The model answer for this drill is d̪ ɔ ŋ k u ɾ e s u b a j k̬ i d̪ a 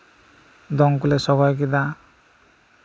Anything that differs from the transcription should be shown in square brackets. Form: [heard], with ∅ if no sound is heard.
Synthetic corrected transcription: d̪ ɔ ŋ k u [l] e s [ɔ] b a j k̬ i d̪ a

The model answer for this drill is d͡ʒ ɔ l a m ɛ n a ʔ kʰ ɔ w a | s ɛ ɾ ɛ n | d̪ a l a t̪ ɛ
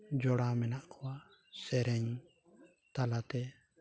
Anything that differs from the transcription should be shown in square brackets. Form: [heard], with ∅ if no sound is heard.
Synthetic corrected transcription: d͡ʒ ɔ [ɽ] a m ɛ n a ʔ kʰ ɔ w a | s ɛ ɾ ɛ [ɲ] | [t̪] a l a t̪ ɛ

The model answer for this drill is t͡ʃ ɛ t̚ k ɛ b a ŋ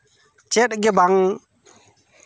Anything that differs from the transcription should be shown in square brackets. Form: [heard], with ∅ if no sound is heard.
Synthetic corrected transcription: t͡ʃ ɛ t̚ [ɡ] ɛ b a ŋ

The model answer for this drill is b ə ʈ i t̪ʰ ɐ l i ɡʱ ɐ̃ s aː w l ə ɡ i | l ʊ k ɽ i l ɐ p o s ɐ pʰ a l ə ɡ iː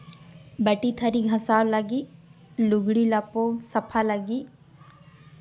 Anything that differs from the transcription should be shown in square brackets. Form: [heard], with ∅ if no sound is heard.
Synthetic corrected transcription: b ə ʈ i t̪ʰ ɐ [ɾ] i ɡʱ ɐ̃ s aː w l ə ɡ i | l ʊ [ɡ] ɽ i l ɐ p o s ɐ pʰ a l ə ɡ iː

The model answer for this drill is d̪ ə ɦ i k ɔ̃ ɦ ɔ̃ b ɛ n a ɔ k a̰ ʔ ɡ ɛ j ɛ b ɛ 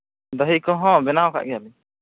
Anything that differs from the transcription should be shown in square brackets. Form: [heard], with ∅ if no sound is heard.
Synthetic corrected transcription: d̪ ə ɦ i k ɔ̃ ɦ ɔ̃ b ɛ n a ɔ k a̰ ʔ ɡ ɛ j [a] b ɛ

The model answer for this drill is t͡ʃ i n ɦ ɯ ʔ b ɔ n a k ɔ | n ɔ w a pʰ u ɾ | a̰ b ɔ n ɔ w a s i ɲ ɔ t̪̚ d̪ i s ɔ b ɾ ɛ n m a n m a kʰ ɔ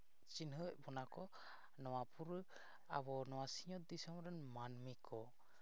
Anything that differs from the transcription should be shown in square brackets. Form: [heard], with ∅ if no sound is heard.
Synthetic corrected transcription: t͡ʃ i n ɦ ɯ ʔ b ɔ n a k ɔ | n ɔ w a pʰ u ɾ | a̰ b ɔ n ɔ w a s i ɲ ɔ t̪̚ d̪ i s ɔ [m] ɾ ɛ n m a n m [i] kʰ ɔ

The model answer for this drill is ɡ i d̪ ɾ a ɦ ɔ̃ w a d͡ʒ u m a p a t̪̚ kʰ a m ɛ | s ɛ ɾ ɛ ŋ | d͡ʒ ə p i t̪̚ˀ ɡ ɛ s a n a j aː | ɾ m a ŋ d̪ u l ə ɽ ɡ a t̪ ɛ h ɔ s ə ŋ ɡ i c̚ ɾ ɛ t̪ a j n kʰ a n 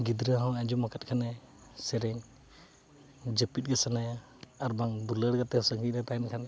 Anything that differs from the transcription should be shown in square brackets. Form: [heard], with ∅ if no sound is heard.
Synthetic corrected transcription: ɡ i d̪ ɾ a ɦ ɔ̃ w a d͡ʒ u m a [k] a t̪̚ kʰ a [n] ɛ | s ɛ ɾ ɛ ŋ | d͡ʒ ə p i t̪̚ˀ ɡ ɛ s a n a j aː | ɾ [b] a ŋ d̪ u l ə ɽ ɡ a t̪ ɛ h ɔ s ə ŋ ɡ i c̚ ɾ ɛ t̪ a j n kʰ a n

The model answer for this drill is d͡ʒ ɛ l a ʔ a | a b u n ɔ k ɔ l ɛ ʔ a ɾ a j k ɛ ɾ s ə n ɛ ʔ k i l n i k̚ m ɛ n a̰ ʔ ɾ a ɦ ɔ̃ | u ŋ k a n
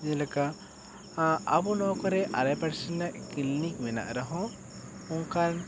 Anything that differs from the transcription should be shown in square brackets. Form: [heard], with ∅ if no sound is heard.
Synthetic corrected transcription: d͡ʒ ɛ l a [k] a | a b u n ɔ k ɔ [ɾ] ɛ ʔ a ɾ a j [p] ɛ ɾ s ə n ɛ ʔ k i l n i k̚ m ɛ n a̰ ʔ ɾ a ɦ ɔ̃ | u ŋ k a n

